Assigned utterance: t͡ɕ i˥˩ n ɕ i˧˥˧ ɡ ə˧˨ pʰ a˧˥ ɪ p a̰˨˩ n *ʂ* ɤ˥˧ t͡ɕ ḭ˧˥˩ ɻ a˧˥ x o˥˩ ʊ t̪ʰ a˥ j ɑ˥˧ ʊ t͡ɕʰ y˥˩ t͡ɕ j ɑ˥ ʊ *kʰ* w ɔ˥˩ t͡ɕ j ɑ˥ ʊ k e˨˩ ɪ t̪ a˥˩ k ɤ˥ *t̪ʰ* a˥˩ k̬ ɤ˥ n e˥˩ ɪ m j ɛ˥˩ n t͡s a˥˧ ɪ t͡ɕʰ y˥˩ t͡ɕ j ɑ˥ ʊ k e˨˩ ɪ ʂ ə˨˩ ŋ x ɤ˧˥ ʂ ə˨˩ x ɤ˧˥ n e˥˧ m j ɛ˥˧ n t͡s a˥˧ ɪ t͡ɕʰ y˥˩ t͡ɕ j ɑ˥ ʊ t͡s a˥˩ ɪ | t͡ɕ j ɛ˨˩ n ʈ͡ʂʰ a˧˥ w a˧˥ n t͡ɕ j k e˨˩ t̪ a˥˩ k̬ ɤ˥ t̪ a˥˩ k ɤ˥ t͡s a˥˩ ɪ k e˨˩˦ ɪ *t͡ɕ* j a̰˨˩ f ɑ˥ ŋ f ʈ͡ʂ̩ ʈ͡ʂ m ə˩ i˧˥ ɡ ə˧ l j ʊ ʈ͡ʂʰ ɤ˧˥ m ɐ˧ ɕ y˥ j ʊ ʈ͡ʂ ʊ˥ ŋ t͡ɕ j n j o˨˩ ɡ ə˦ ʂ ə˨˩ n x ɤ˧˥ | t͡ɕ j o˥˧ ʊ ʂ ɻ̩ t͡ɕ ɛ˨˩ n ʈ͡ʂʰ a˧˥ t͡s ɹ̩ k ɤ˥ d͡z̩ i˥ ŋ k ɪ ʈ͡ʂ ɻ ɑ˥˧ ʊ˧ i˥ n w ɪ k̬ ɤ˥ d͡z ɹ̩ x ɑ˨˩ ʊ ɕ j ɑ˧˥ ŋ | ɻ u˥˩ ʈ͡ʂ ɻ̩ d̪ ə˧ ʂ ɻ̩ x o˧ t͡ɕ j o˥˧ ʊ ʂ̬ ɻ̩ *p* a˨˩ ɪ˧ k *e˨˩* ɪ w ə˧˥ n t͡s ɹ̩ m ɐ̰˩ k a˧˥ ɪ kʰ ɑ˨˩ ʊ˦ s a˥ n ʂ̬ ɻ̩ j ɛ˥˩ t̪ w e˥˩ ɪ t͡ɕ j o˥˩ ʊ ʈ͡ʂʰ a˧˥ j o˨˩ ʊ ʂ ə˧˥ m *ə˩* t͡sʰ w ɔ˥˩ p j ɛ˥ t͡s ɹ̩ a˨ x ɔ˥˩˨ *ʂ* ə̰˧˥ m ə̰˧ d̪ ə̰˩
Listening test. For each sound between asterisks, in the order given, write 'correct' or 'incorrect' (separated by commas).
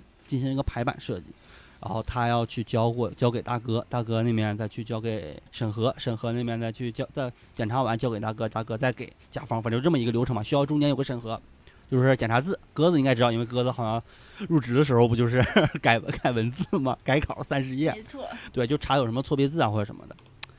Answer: correct, incorrect, incorrect, correct, incorrect, incorrect, incorrect, correct